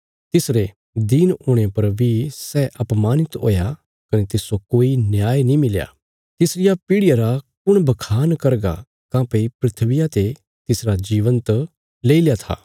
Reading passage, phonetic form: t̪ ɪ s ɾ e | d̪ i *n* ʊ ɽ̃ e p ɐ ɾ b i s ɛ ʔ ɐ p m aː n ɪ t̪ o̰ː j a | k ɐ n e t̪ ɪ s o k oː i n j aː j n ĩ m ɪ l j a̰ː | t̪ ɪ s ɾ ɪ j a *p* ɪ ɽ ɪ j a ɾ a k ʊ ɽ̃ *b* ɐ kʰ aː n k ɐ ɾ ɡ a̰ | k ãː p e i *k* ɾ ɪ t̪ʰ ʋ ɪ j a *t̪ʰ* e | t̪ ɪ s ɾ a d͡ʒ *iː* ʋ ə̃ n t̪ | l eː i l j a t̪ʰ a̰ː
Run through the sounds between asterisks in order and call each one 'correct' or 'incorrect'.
correct, correct, correct, incorrect, incorrect, correct

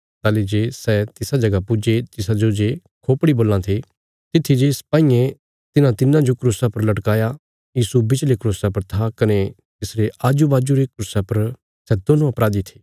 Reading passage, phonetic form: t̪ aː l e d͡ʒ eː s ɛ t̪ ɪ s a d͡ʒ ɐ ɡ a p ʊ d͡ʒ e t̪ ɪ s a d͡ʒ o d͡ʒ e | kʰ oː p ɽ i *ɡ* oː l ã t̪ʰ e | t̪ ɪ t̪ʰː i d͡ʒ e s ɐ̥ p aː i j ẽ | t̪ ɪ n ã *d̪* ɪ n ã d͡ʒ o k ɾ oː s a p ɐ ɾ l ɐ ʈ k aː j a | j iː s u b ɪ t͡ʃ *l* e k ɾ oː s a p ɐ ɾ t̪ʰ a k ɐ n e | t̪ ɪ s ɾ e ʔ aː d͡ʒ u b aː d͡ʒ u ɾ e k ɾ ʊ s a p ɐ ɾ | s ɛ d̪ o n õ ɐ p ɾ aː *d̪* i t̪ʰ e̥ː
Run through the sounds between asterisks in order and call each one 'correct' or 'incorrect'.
incorrect, incorrect, correct, correct

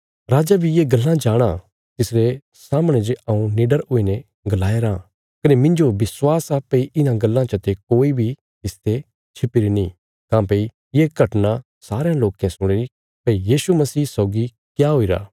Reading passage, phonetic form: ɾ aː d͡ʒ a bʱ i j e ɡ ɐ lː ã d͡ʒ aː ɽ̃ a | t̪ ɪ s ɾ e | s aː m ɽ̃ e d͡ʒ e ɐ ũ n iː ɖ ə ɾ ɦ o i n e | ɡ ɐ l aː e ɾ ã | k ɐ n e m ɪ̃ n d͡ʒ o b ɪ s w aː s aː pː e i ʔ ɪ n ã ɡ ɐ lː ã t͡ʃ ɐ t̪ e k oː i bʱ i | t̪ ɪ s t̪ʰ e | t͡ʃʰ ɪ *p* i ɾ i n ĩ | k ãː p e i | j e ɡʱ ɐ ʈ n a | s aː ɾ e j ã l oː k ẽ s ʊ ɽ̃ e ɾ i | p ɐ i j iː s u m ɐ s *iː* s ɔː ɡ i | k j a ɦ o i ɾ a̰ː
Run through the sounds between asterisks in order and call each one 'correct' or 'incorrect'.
correct, correct

